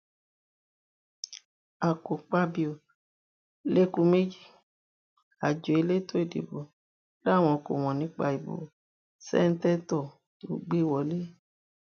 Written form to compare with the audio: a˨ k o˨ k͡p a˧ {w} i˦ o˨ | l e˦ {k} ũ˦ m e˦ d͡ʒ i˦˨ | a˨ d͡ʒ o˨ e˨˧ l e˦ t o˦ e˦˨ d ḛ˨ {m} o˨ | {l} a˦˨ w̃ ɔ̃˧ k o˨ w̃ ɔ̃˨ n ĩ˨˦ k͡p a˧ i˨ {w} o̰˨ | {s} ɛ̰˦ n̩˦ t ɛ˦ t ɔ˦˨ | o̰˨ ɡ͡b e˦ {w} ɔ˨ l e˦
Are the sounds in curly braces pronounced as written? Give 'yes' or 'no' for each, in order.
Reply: no, yes, no, yes, no, yes, yes

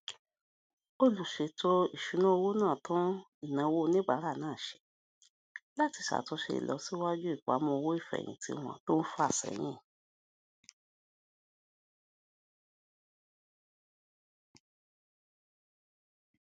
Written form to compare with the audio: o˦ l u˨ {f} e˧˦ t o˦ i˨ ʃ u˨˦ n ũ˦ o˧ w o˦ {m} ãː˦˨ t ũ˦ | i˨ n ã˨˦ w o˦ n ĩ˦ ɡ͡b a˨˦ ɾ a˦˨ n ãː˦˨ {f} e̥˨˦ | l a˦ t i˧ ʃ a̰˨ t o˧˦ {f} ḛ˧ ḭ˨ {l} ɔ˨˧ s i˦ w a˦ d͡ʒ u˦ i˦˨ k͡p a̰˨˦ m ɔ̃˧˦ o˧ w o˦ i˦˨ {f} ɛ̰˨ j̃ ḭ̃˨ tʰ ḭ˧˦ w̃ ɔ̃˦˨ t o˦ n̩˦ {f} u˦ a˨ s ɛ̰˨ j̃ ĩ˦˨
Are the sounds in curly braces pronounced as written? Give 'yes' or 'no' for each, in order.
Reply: no, no, no, no, yes, yes, yes

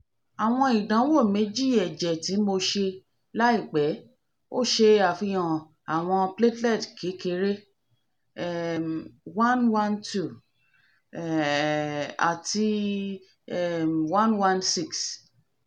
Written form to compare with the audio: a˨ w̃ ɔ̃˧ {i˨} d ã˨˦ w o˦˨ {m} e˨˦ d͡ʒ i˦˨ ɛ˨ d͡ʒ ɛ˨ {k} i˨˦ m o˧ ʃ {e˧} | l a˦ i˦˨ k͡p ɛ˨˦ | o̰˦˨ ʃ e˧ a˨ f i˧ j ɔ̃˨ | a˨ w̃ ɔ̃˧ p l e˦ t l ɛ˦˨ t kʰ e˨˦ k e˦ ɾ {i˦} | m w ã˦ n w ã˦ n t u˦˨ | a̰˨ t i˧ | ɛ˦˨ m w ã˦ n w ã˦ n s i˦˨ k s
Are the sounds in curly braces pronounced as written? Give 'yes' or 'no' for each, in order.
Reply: yes, yes, no, yes, no

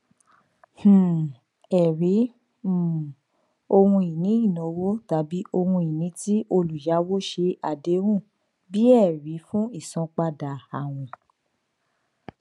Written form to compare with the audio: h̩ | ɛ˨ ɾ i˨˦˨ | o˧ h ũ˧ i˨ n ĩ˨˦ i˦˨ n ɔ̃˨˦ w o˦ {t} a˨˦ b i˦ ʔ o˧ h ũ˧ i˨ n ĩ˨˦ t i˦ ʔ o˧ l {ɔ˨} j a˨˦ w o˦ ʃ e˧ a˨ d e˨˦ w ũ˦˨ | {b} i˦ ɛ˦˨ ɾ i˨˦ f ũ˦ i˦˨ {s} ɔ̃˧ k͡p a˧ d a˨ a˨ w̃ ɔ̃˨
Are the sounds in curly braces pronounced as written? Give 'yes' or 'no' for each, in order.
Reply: yes, no, yes, yes

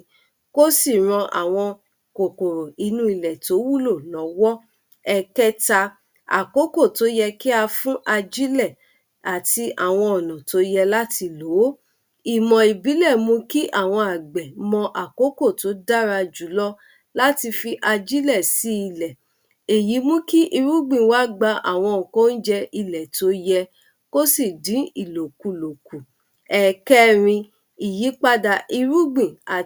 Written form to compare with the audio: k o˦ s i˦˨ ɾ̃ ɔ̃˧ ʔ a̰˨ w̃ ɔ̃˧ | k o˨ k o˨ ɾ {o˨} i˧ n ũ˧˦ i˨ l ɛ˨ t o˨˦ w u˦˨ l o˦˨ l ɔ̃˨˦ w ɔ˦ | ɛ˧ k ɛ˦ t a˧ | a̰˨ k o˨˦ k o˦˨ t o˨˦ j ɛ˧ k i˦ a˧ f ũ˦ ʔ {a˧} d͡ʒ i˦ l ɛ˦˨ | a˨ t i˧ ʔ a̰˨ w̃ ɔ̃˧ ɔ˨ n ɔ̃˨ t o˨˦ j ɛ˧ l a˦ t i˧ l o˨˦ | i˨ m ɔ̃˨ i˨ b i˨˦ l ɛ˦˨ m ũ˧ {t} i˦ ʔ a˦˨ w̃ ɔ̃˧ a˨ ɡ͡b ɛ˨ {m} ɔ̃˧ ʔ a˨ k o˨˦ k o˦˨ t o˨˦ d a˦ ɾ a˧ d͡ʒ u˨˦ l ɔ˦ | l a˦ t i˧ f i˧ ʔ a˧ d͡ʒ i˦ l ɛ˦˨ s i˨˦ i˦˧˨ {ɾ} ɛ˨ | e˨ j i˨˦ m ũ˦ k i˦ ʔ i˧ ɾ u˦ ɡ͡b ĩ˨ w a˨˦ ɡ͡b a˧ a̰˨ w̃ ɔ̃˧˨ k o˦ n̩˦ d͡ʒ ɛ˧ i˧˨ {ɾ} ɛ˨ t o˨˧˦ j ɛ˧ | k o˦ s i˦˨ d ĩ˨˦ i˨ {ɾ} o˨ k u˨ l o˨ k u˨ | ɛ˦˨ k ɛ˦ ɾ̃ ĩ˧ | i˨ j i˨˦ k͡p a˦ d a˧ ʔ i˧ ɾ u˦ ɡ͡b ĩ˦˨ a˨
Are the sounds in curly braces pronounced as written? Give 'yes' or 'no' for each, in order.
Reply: yes, yes, no, yes, no, no, no

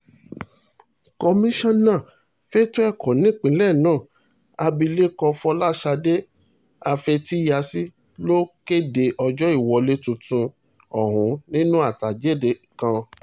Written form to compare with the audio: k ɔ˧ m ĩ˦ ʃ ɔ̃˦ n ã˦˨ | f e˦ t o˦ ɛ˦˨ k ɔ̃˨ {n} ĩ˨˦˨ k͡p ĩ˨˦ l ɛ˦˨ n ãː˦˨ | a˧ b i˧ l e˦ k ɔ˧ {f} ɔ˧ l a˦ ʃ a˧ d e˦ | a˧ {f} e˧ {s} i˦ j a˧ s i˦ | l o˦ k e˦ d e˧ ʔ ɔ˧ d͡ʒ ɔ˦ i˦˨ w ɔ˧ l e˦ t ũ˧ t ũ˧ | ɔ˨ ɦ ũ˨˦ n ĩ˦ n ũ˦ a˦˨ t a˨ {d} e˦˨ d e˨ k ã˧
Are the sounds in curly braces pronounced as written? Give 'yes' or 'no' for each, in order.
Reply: yes, yes, yes, no, no

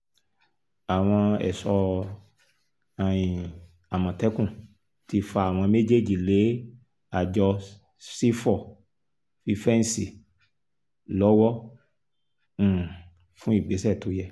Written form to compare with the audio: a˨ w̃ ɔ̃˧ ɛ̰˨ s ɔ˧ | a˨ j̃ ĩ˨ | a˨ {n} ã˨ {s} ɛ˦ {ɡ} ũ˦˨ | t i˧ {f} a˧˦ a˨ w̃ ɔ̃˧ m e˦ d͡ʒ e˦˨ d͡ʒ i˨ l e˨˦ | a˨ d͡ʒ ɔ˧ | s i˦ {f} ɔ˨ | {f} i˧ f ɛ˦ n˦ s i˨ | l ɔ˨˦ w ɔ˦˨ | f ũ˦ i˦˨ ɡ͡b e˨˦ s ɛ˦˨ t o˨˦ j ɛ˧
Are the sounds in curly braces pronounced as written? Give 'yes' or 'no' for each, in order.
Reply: no, no, no, yes, yes, yes

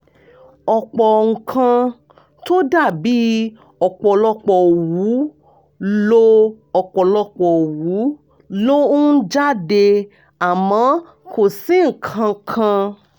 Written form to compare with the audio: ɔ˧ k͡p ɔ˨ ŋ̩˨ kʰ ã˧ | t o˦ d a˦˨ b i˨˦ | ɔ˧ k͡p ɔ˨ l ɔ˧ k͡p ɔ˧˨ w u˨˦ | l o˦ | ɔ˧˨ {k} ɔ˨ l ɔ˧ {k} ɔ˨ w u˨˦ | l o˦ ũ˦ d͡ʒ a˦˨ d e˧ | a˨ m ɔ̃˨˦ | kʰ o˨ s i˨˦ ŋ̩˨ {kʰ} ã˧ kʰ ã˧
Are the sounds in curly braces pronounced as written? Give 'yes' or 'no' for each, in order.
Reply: no, no, yes

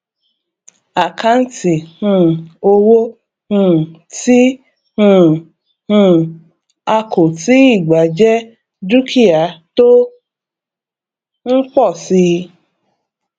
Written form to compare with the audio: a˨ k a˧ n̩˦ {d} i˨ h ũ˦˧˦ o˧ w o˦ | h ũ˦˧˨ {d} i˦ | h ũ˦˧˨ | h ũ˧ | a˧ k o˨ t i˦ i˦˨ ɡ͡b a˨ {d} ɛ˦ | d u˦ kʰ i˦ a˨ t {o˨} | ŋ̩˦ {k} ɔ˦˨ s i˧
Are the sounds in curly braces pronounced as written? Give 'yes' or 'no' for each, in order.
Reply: no, no, no, no, no

